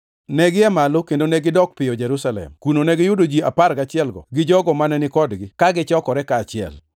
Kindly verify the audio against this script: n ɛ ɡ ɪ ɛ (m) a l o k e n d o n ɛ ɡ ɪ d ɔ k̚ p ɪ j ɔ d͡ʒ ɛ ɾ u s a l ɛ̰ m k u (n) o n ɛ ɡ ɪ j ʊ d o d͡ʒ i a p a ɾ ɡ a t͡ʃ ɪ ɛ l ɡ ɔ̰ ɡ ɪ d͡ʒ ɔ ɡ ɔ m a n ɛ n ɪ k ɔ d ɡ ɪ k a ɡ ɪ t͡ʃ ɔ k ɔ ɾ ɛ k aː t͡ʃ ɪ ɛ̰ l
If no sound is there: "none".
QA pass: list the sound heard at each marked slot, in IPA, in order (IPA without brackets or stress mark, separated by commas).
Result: m, n